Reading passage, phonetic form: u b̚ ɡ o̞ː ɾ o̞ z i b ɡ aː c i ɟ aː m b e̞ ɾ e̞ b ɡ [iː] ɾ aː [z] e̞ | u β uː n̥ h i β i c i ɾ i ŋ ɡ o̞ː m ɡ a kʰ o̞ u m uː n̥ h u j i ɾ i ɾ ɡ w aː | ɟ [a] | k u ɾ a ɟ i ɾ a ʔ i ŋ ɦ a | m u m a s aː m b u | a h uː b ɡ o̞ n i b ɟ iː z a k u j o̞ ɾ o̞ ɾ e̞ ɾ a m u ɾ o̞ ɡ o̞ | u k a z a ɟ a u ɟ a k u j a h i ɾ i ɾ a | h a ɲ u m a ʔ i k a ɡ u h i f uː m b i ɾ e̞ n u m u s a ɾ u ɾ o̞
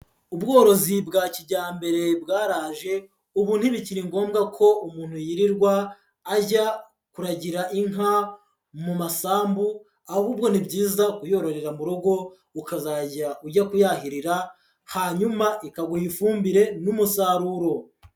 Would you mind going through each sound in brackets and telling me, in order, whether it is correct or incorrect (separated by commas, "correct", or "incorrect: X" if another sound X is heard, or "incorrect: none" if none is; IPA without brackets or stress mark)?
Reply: incorrect: aː, incorrect: ʒ, correct